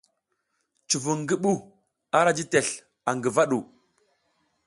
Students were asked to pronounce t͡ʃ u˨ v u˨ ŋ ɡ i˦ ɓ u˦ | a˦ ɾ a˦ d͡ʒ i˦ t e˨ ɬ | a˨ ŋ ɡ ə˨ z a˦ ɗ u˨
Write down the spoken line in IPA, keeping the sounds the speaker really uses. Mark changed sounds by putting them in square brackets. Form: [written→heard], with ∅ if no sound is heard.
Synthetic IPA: t͡ʃ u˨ v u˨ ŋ ɡ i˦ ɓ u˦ | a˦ ɾ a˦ d͡ʒ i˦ t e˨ ɬ | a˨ ŋ ɡ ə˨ [z→v] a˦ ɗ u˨